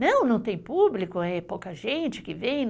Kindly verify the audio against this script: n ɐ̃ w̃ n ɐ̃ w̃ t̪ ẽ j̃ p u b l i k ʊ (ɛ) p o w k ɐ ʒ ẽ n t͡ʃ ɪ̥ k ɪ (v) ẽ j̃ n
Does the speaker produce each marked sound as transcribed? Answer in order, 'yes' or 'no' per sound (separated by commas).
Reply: yes, yes